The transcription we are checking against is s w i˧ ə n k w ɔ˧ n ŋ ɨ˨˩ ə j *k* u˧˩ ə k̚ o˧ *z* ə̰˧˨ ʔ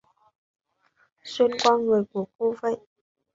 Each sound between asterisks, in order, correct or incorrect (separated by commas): correct, incorrect